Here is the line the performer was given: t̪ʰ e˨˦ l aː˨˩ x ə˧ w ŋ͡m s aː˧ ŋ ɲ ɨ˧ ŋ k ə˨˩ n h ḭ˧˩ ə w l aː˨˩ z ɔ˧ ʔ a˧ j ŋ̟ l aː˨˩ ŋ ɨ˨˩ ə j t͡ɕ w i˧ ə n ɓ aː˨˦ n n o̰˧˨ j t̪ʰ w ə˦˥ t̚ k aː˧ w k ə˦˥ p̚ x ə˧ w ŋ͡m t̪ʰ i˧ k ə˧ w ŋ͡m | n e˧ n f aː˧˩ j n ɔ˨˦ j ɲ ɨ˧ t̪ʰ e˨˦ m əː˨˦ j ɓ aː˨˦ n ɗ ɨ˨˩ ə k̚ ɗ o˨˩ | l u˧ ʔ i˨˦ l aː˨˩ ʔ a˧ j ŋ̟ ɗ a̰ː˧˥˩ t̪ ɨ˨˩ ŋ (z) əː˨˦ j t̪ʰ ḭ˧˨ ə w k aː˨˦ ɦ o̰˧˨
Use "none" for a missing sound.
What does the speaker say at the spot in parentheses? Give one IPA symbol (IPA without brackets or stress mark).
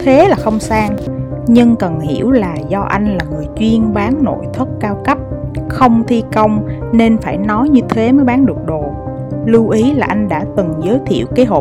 z